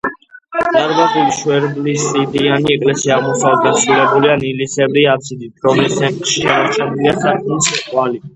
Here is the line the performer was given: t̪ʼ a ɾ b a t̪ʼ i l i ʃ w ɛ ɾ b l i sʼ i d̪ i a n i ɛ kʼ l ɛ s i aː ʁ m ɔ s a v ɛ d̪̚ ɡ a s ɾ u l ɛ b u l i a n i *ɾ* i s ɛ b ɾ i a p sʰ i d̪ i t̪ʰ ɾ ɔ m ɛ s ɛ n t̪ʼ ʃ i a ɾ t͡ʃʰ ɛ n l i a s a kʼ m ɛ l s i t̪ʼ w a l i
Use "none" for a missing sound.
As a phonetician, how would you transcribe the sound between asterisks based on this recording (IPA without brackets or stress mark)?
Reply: l